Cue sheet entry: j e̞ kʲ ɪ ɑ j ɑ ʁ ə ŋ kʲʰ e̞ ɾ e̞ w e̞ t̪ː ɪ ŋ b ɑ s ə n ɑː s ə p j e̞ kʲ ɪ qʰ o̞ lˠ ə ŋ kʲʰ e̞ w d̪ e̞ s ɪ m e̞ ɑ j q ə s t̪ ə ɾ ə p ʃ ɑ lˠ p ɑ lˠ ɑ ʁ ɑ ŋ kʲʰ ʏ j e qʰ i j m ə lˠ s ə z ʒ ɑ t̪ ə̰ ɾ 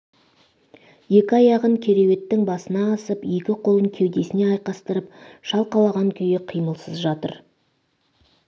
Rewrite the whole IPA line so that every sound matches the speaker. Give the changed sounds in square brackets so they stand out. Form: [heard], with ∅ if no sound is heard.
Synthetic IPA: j e̞ kʲ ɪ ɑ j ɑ ʁ ə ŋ kʲʰ e̞ ɾ e̞ w e̞ t̪ː ɪ ŋ b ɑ s ə n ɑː s ə p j e̞ kʲ ɪ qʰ o̞ lˠ ə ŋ kʲʰ e̞ w d̪ e̞ s ɪ [n] e̞ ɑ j q [ɑ] s t̪ ə ɾ ə p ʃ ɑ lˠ [q] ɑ lˠ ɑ ʁ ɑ ŋ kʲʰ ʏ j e qʰ i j m ə lˠ s ə z ʒ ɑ t̪ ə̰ ɾ